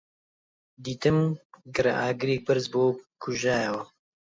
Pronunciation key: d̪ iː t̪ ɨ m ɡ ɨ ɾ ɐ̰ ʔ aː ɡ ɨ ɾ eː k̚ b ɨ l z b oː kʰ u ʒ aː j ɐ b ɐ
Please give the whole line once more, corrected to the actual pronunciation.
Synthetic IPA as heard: d̪ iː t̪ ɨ m ɡ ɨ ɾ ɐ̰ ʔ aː ɡ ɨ ɾ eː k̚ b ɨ ɾ z b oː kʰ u ʒ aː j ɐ w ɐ